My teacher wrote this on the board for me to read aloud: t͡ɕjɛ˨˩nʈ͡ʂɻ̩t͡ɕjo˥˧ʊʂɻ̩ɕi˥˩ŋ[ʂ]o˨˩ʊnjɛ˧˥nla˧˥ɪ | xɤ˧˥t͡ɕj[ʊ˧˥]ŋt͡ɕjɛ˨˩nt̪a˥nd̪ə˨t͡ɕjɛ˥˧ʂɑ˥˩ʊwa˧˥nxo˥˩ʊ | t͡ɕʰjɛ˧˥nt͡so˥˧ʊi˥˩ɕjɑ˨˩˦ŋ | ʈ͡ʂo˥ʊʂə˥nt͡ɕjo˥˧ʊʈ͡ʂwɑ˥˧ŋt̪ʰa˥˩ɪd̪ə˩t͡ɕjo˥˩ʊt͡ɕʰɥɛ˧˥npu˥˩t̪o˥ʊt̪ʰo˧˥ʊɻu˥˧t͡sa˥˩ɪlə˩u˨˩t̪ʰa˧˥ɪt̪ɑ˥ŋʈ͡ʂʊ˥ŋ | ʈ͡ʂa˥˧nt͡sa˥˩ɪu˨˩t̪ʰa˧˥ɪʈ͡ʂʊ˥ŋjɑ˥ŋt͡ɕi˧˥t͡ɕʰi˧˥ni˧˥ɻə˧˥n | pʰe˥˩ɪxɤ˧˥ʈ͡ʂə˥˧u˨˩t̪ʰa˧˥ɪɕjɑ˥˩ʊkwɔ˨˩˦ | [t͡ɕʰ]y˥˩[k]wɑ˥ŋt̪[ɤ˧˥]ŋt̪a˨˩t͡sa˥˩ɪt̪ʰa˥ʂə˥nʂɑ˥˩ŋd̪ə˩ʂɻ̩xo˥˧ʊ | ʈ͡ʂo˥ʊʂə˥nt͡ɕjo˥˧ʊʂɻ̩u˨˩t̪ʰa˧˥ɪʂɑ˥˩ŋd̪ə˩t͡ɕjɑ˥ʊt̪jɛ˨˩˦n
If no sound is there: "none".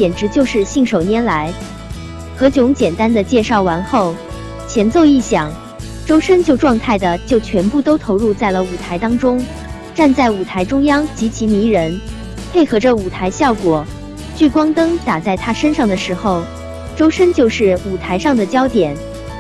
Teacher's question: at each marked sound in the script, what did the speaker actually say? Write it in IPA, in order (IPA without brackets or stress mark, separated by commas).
ʂ, ʊ˧˥, t͡ɕ, k, ɤ˥